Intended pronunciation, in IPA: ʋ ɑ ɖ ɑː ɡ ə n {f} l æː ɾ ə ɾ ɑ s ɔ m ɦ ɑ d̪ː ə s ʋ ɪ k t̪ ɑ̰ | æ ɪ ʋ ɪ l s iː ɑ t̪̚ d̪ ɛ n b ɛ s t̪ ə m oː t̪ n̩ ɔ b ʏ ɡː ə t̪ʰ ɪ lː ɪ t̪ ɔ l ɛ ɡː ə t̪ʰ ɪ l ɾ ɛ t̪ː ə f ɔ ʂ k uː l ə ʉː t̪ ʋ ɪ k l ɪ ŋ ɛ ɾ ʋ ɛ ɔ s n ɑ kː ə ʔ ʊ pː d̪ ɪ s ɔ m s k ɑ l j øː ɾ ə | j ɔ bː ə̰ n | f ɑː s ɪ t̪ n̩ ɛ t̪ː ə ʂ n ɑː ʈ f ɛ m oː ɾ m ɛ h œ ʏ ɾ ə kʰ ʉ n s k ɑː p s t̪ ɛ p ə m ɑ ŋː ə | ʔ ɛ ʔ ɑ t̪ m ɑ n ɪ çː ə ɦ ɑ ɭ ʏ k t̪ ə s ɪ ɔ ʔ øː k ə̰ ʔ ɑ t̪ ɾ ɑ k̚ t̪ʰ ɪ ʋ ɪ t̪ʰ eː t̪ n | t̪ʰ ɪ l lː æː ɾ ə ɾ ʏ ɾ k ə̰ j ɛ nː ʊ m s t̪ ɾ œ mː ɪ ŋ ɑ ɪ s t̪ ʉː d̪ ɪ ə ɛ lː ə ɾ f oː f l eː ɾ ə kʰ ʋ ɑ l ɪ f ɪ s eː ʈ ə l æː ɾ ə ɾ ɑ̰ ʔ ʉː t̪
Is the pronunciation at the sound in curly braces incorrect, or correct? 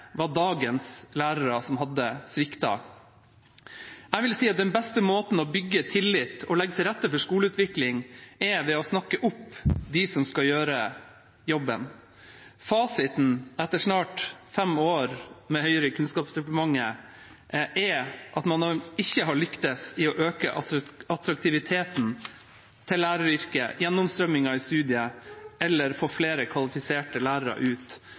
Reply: incorrect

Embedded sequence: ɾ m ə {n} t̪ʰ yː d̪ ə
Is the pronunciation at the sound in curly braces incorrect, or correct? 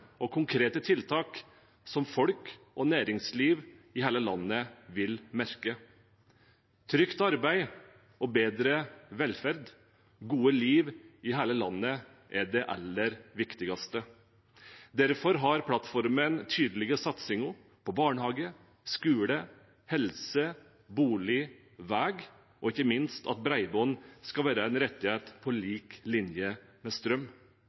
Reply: correct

